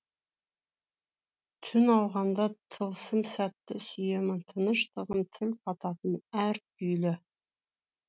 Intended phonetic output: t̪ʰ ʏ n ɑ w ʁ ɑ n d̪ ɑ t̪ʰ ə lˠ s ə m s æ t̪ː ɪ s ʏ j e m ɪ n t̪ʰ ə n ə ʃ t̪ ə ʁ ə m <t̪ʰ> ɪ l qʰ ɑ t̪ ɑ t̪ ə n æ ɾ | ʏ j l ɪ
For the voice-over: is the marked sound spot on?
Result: yes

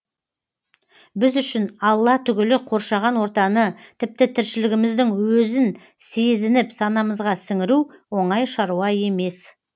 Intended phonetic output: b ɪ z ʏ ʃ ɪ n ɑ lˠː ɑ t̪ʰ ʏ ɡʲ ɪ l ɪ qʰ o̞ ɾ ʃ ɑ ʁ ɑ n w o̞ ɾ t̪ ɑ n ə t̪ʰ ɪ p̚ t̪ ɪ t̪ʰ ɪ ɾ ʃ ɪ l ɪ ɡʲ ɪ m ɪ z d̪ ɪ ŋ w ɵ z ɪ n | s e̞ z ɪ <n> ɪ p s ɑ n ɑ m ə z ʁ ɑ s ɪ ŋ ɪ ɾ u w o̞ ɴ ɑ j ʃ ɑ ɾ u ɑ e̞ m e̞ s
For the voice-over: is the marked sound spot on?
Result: yes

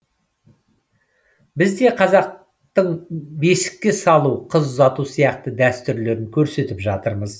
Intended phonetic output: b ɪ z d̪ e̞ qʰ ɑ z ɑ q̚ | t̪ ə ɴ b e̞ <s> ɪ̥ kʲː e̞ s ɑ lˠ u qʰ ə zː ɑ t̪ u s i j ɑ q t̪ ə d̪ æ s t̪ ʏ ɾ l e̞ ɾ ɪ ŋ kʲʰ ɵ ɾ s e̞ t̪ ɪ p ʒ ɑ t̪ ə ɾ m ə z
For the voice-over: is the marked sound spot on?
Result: yes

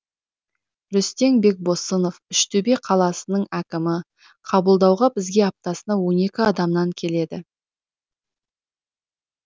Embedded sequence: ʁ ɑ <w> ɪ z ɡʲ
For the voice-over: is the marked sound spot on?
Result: no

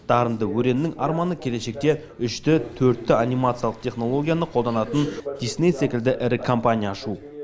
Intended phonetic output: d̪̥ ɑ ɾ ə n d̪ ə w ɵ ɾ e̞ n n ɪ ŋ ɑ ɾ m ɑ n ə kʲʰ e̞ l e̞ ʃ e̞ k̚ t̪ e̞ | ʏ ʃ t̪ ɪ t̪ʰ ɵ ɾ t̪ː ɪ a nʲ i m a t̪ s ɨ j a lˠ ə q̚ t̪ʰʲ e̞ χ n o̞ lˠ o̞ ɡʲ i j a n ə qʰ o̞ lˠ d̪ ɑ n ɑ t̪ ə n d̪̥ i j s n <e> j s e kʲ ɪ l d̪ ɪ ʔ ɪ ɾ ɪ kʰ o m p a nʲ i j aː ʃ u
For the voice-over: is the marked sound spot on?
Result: yes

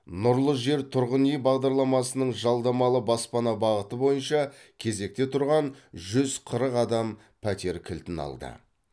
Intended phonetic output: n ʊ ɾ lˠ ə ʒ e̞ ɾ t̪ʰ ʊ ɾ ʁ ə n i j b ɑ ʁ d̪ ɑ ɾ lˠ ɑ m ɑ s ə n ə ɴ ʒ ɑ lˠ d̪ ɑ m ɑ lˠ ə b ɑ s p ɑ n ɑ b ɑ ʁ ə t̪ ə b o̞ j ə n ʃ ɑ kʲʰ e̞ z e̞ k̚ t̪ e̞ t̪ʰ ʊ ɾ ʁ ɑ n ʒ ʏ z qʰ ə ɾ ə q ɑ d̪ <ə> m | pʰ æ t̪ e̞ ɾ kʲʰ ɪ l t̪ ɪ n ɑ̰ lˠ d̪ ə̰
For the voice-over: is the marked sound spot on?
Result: no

